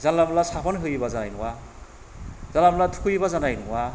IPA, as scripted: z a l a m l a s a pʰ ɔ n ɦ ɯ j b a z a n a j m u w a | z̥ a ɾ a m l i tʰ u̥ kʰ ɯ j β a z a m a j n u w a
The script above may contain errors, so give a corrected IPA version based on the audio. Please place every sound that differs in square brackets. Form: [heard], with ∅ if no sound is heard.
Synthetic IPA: z a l a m l a s a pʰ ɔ n ɦ ɯ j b a z a n a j [n] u w a | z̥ a [l] a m l [a] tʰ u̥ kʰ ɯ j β a z a [n] a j n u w a